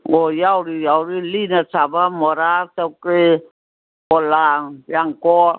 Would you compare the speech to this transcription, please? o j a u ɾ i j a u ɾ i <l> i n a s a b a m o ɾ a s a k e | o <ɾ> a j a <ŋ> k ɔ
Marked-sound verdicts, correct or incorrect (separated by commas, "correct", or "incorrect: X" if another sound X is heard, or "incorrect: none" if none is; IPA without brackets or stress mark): correct, incorrect: l, correct